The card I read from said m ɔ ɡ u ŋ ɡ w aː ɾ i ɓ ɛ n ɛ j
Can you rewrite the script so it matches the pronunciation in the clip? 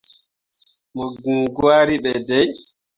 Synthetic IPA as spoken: m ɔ ɡ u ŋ ɡ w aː ɾ i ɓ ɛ d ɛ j